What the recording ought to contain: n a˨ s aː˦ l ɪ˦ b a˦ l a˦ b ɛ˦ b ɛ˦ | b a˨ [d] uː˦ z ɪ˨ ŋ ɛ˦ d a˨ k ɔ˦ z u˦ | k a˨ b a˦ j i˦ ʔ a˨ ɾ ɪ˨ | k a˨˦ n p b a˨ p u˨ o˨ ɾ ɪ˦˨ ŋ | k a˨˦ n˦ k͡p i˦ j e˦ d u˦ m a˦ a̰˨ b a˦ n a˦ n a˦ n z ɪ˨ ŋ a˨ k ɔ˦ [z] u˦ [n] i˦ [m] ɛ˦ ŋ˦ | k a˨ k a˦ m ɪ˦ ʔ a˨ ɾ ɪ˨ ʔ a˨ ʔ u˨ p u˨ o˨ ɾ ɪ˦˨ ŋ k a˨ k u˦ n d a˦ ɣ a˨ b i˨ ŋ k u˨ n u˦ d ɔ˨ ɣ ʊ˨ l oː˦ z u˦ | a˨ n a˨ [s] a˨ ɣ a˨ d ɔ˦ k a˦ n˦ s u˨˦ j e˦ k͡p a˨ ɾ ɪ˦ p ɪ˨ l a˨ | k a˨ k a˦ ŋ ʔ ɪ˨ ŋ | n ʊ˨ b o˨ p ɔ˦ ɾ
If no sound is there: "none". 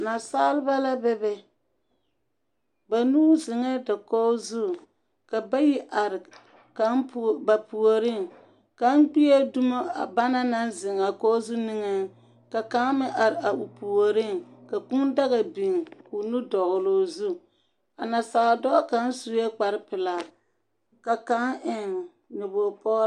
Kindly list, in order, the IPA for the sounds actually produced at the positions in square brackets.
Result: n, z, n, ŋ, s

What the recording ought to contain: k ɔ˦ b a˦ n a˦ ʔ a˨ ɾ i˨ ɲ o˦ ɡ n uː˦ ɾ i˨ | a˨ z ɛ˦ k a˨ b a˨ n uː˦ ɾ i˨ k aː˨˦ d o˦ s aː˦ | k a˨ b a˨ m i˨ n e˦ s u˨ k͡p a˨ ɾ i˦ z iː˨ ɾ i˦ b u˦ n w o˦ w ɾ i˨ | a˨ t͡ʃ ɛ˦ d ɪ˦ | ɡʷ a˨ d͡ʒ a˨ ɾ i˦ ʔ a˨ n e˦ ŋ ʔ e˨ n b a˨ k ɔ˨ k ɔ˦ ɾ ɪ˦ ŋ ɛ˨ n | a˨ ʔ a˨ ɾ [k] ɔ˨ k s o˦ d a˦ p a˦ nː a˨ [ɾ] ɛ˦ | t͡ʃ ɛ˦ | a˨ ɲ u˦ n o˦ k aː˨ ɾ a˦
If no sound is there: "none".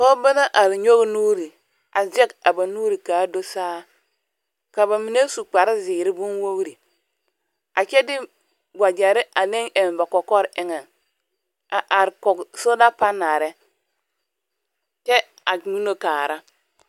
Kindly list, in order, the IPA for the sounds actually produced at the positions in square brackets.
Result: k, ɾ

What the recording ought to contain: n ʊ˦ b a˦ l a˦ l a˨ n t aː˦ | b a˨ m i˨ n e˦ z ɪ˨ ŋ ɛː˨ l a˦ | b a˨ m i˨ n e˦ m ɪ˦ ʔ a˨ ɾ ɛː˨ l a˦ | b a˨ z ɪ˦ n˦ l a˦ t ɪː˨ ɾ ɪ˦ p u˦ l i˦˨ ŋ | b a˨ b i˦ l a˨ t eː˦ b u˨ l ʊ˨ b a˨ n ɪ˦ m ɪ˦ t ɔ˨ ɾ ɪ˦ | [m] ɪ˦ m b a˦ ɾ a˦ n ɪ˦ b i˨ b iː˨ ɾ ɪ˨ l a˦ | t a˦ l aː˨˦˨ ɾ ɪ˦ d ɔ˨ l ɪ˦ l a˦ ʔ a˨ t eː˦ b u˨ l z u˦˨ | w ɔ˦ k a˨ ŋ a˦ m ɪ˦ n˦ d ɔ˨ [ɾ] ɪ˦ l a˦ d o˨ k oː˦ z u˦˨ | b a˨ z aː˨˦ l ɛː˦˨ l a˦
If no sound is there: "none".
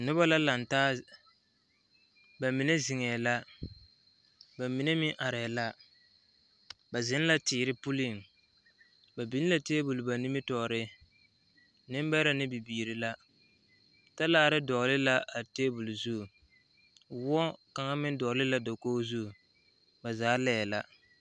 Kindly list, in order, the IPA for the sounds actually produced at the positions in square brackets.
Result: n, l

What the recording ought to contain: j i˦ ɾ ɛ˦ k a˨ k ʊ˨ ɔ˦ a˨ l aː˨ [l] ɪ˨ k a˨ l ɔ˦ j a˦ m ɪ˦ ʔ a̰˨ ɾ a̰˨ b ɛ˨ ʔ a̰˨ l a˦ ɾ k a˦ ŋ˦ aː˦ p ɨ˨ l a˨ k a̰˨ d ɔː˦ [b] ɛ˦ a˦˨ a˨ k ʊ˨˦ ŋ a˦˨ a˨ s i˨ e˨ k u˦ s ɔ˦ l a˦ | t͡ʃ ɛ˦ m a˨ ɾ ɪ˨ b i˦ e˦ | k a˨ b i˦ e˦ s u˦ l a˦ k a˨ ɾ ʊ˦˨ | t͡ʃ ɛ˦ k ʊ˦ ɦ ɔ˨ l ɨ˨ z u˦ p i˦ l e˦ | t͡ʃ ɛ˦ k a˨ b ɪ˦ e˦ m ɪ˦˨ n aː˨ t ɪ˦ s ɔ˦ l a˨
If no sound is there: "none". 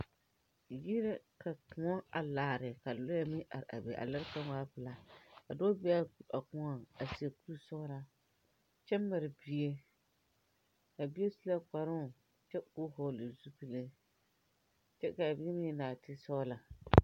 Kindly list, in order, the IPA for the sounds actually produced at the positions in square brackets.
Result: ɾ, b

